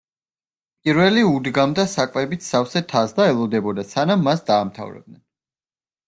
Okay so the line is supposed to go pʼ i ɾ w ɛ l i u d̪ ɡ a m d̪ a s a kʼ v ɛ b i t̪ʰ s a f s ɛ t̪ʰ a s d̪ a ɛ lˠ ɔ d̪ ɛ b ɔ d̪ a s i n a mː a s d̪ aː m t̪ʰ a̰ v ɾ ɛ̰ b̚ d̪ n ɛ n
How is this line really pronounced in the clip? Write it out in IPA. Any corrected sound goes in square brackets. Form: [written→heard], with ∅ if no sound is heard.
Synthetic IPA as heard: pʼ i ɾ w ɛ l i u d̪ ɡ a m d̪ a s a kʼ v ɛ b i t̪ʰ s a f s ɛ t̪ʰ a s d̪ a ɛ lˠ ɔ d̪ ɛ b ɔ d̪ a s [i→a] n a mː a s d̪ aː m t̪ʰ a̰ v ɾ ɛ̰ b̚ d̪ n ɛ n